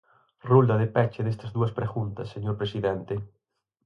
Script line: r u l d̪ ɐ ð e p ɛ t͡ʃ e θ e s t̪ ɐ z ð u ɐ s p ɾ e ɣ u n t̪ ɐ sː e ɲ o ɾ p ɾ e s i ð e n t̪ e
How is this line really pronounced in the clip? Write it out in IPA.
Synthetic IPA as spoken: r u l d̪ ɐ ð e p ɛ t͡ʃ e ð e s t̪ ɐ z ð u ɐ s p ɾ e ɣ u n t̪ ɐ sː e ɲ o ɾ p ɾ e s i ð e n t̪ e